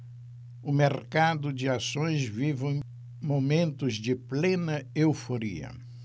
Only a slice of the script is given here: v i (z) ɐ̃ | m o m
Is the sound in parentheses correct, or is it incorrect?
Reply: incorrect: v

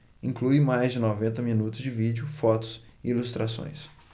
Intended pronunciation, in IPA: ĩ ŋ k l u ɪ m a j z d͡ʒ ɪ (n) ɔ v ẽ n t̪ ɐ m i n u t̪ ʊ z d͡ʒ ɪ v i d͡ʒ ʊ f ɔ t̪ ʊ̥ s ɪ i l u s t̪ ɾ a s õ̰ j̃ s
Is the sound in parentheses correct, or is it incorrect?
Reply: correct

